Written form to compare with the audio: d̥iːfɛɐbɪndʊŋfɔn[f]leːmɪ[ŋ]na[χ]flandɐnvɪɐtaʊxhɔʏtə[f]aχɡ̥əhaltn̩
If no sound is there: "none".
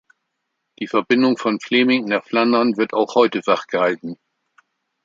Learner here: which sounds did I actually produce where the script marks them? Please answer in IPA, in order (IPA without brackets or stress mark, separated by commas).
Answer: f, ŋ, χ, v